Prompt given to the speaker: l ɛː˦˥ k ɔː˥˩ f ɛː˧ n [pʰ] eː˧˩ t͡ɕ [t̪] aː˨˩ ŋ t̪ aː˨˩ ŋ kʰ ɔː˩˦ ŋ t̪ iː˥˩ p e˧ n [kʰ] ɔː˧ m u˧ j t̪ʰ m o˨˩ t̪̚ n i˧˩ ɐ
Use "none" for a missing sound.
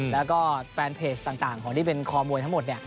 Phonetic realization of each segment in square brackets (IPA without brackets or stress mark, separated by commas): pʰ, t̪, kʰ